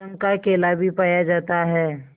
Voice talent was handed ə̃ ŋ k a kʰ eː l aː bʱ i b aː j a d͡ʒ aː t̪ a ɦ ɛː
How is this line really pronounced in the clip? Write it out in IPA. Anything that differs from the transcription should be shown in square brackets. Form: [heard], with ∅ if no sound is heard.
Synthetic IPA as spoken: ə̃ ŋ k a [k] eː l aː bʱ i [p] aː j a d͡ʒ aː t̪ a ɦ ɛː